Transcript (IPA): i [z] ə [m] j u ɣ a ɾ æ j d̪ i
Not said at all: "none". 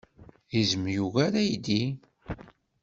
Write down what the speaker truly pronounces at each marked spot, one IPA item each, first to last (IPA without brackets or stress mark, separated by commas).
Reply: z, m